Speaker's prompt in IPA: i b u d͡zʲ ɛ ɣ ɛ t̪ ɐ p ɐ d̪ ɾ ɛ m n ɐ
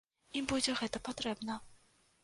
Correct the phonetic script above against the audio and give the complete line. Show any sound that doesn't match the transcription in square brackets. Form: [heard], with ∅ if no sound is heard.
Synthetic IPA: i b u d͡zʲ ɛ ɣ ɛ t̪ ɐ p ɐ [t̪] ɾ ɛ [b] n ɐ

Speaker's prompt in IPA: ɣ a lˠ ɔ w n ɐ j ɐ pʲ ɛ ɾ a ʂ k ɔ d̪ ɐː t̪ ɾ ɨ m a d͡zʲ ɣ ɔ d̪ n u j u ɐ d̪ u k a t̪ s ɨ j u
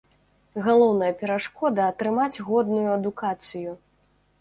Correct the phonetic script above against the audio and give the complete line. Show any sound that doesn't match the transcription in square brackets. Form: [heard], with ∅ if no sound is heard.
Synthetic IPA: ɣ a lˠ ɔ w n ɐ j ɐ pʲ ɛ ɾ a ʂ k ɔ d̪ ɐː t̪ ɾ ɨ m a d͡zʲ ɣ ɔ d̪ n u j u ɐ d̪ u k a t̪ s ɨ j u

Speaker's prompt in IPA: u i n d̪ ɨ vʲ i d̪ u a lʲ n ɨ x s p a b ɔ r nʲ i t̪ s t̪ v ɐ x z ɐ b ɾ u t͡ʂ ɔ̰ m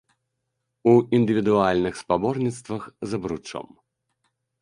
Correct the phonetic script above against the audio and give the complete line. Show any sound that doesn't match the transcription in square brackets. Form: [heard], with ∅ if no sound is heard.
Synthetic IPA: u i n d̪ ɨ vʲ i d̪ u a lʲ n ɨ x s p a b ɔ r nʲ i t̪ s t̪ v ɐ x z ɐ b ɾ u t͡ʂ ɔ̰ m

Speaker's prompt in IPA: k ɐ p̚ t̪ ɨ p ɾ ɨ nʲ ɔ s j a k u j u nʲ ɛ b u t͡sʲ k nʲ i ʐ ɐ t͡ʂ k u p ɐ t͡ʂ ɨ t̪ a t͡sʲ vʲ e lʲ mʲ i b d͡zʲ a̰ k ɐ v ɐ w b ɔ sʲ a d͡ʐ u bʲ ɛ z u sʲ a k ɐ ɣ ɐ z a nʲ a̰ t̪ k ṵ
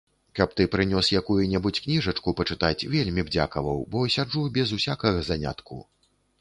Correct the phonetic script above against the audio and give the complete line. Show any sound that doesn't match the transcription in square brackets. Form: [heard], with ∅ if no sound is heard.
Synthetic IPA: k ɐ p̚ t̪ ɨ p ɾ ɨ nʲ ɔ s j a k u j u nʲ ɛ b u t͡sʲ k nʲ i ʐ ɐ t͡ʂ k u p ɐ t͡ʂ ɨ t̪ a t͡sʲ vʲ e lʲ mʲ i b d͡zʲ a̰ k ɐ v ɐ w b ɔ sʲ a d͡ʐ u bʲ ɛ z u sʲ a k ɐ ɣ ɐ z a nʲ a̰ t̪ k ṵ

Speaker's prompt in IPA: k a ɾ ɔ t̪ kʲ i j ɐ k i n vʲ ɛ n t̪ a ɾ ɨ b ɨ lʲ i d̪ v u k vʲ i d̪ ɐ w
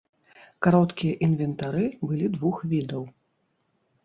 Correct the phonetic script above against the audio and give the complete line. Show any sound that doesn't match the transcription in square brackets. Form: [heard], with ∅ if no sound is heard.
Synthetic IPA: k a ɾ ɔ t̪ kʲ i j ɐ [ʔ] i n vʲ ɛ n t̪ a ɾ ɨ b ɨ lʲ i d̪ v u [x] vʲ i d̪ ɐ w

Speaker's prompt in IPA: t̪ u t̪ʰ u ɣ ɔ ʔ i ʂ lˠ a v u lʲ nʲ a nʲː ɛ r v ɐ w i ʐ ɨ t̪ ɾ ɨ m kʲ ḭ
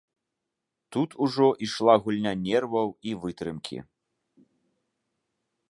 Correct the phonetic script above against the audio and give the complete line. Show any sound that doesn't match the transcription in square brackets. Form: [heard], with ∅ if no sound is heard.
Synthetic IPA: t̪ u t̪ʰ u [ʐ] ɔ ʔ i ʂ lˠ a [ɣ] u lʲ nʲ a [nʲ] ɛ r v ɐ w i [v] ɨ t̪ ɾ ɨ m kʲ ḭ

